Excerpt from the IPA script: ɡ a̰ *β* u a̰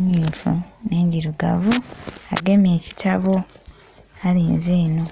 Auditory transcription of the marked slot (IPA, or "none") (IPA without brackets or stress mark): v